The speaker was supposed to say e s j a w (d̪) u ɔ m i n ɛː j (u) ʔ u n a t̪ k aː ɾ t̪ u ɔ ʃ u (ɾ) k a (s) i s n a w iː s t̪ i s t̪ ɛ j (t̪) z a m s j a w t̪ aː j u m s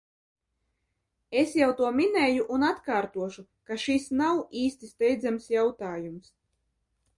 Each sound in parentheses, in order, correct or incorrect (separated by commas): incorrect, correct, incorrect, incorrect, incorrect